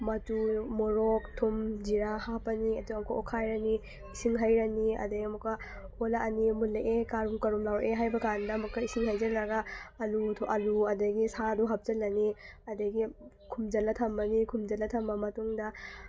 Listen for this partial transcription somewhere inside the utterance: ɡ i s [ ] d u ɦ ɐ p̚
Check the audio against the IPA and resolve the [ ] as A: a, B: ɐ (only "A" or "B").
A